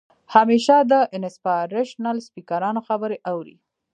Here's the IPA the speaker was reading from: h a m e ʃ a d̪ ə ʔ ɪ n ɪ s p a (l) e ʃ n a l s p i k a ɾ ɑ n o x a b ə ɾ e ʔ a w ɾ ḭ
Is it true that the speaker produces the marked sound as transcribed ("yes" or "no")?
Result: no